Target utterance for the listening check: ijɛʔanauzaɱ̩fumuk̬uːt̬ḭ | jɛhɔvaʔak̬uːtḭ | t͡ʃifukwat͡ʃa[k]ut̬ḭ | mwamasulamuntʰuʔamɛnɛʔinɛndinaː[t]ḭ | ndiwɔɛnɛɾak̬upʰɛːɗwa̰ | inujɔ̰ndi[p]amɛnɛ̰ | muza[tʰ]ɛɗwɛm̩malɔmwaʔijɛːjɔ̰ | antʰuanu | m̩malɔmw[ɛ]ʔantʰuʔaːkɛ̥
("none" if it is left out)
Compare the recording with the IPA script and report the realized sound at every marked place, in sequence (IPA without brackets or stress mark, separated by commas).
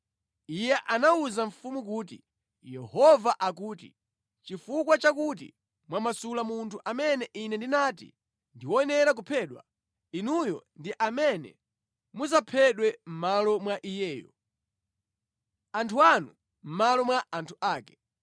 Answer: k, t, ʔ, pʰ, a